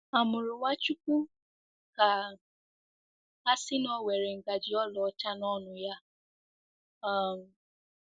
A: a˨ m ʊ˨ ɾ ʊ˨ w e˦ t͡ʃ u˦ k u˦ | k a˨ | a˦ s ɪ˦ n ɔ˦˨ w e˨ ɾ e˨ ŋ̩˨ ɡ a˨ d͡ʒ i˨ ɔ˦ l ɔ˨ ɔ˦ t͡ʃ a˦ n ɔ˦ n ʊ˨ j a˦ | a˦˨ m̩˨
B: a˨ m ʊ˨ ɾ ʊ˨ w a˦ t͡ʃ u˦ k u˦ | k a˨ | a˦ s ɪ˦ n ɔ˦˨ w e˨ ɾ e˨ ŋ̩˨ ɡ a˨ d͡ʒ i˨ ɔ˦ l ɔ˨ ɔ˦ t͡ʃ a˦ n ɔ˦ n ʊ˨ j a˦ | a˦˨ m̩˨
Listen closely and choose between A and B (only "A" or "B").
B